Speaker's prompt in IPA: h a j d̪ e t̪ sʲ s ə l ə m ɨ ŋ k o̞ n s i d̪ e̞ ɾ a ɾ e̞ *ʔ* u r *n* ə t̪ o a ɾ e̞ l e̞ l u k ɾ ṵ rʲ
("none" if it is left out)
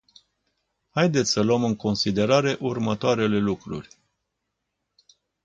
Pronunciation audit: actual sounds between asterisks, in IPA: ʔ, m

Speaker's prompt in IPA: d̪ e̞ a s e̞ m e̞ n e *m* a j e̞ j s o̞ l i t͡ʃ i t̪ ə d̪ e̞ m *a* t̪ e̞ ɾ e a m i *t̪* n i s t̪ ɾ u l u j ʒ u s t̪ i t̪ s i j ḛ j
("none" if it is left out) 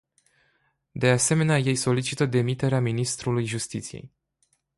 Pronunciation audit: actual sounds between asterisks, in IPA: none, i, none

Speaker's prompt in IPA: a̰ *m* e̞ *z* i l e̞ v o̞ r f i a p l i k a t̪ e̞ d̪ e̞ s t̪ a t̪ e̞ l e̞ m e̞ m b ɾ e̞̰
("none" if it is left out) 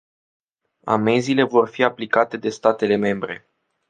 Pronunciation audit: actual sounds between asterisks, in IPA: m, z

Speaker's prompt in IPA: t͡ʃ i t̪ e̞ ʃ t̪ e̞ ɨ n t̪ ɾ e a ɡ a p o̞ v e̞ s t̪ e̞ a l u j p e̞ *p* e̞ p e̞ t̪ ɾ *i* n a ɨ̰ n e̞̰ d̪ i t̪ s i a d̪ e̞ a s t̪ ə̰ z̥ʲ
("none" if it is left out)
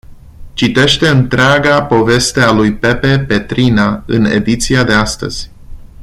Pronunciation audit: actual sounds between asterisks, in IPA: p, i

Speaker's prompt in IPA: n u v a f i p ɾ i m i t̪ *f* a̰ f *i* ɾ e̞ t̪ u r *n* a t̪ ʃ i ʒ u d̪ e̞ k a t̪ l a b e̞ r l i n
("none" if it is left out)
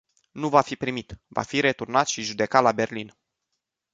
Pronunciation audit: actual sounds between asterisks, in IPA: v, i, n

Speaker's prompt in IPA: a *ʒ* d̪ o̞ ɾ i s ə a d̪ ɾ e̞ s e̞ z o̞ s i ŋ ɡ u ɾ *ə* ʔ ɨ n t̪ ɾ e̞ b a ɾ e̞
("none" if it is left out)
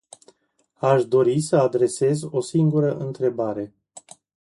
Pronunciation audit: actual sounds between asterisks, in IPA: ʃ, ə

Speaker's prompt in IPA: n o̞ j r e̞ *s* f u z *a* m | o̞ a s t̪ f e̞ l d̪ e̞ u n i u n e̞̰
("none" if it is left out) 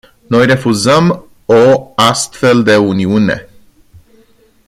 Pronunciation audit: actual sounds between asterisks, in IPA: none, ə

